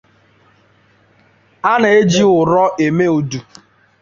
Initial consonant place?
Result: alveolar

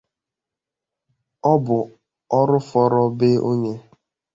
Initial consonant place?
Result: labial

